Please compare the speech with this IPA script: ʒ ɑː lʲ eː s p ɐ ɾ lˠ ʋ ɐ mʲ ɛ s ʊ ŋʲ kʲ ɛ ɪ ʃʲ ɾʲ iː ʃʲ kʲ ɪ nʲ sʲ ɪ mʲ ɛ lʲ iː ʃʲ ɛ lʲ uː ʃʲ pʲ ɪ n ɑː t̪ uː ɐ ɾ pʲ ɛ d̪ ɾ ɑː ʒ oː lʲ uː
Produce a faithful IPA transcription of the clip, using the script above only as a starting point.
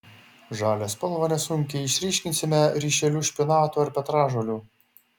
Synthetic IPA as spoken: ʒ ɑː lʲ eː s p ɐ lˠ ʋ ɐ nʲ ɛ s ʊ ŋʲ kʲ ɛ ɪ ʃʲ ɾʲ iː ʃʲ kʲ ɪ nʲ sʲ ɪ mʲ ɛ ɾʲ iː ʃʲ ɛ lʲ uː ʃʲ pʲ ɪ n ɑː t̪ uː ɐ ɾ pʲ ɛ t̪ ɾ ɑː ʒ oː lʲ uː